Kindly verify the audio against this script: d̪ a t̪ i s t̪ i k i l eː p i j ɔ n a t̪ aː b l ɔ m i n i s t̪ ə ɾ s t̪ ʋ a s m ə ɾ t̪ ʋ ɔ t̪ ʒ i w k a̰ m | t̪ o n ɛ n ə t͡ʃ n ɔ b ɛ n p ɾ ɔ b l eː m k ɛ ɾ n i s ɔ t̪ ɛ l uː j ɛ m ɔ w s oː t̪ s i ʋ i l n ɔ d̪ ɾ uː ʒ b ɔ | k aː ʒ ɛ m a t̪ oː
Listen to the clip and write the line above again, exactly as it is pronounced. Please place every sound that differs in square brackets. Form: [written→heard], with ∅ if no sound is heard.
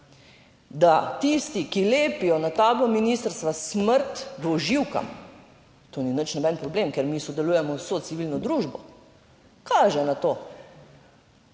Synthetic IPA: d̪ a t̪ i s t̪ i k i l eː p i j ɔ n a t̪ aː b l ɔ m i n i s t̪ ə ɾ s t̪ ʋ a s m ə ɾ t̪ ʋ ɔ [t̪→∅] ʒ i w k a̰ m | t̪ o n [ɛ→i] n ə t͡ʃ n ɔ b ɛ n p ɾ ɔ b l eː m k ɛ ɾ [n→m] i s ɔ [t̪→d̪] ɛ l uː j ɛ m ɔ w s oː t̪ s i ʋ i l n ɔ d̪ ɾ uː ʒ b ɔ | k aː ʒ ɛ [m→n] a t̪ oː